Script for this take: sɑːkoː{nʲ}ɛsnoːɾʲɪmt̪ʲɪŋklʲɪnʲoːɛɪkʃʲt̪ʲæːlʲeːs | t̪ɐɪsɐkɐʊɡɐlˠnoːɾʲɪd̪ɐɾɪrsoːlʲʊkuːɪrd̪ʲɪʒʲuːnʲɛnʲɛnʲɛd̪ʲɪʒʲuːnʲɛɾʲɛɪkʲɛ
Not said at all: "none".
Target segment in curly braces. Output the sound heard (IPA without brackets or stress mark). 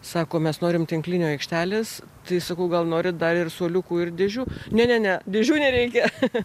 mʲ